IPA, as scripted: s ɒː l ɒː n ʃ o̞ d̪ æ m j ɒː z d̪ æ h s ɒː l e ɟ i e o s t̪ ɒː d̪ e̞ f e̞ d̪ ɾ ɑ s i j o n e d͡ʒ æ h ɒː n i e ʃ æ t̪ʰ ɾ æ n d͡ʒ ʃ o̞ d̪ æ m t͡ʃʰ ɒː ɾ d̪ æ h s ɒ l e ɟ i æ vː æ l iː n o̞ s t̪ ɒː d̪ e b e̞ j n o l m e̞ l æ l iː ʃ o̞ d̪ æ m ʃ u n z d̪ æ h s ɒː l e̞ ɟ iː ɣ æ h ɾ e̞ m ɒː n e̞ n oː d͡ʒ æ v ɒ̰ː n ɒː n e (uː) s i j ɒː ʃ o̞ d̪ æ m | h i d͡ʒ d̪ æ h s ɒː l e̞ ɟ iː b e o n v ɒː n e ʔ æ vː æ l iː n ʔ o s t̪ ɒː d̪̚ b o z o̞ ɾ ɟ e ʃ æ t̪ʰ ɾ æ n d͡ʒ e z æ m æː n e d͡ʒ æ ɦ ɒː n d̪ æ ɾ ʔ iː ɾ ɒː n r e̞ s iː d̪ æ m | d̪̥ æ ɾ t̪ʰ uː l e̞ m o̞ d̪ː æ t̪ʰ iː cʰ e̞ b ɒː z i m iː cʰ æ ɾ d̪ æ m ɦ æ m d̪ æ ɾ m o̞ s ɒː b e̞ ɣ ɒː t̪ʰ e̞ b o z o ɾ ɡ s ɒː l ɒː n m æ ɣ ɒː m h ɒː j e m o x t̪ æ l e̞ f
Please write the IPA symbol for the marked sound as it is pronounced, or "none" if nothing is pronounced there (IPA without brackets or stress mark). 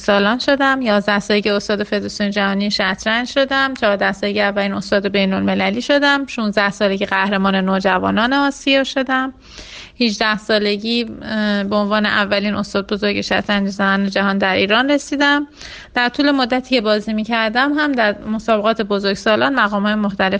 ɒː